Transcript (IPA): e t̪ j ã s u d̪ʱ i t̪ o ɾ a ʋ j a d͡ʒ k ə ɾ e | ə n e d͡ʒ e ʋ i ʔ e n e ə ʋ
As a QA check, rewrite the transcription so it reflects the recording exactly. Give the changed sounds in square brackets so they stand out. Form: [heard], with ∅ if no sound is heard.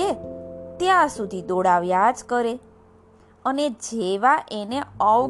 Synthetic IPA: e t̪ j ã s u d̪ʱ i [d̪] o [ɽ] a ʋ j a d͡ʒ k ə ɾ e | ə n e d͡ʒ e ʋ [a] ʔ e n e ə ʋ